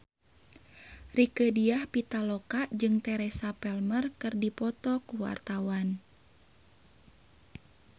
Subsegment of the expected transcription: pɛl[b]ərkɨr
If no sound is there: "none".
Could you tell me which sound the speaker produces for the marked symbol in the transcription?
m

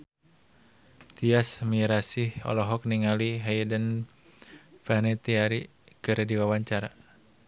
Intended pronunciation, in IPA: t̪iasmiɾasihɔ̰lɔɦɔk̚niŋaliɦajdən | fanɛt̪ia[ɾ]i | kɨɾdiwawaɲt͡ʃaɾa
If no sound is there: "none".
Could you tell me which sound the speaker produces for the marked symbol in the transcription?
ɾ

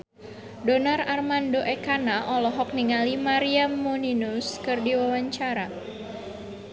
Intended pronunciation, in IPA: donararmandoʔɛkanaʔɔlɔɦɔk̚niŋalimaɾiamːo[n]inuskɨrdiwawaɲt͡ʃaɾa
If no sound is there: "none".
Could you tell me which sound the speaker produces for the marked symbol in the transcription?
n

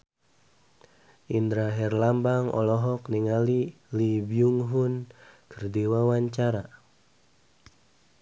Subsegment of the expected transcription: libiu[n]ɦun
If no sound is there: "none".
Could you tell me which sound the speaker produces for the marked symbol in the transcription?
ŋ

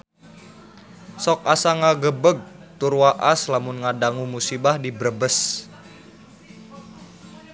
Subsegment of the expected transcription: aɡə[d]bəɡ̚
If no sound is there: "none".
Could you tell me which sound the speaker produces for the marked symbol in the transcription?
none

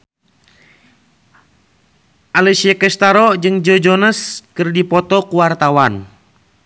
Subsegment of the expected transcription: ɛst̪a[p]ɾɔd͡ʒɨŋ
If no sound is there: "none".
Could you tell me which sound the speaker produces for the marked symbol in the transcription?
none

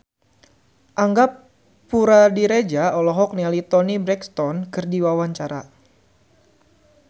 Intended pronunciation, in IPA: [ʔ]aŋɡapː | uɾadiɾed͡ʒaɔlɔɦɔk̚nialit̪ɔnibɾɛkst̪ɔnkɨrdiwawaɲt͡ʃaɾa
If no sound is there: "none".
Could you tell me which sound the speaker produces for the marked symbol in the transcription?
ʔ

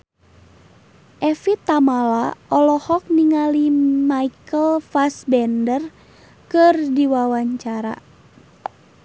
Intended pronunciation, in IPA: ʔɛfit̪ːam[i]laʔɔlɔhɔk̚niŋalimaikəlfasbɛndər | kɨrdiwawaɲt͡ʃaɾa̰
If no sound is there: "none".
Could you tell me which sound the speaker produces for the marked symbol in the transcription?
a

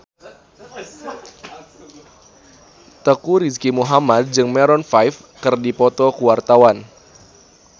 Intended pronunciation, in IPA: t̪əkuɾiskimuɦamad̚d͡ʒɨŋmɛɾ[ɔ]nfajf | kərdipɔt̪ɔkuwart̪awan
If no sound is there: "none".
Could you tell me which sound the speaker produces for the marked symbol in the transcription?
ɔ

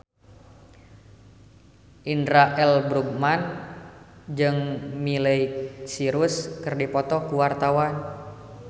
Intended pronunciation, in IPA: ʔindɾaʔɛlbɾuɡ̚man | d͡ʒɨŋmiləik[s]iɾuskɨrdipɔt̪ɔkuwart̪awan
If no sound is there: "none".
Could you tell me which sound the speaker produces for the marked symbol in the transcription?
s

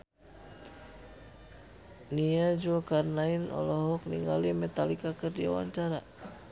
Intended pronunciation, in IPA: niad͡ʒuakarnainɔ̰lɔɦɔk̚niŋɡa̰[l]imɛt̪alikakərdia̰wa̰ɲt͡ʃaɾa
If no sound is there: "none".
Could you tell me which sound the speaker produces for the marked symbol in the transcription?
l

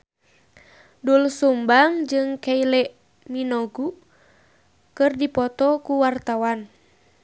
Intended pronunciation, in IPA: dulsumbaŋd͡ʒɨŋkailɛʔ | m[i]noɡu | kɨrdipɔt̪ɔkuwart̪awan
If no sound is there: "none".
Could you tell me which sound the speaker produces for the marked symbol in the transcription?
i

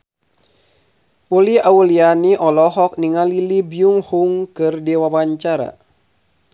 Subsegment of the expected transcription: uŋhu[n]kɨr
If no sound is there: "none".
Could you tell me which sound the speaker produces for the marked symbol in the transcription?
ŋ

